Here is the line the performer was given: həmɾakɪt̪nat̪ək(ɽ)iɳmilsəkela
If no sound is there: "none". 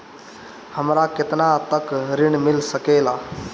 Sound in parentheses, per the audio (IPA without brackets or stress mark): ɾ